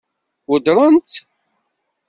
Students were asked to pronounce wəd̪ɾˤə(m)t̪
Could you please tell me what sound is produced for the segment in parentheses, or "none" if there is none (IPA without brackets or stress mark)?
n